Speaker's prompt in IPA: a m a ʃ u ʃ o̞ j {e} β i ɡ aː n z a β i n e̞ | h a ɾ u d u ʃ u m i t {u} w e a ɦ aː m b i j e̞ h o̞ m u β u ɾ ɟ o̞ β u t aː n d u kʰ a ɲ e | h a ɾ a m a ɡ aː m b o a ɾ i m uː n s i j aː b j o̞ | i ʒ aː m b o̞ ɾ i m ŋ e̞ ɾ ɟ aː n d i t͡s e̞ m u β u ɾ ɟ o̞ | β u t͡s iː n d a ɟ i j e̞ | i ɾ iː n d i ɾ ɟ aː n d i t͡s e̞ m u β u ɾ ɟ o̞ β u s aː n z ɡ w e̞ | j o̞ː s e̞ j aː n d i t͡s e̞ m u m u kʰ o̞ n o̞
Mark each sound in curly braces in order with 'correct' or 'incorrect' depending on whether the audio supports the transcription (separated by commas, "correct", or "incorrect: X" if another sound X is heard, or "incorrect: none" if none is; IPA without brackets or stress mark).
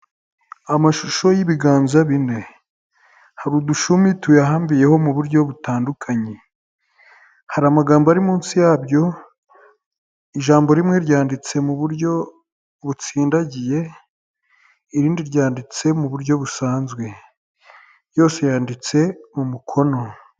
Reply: incorrect: i, correct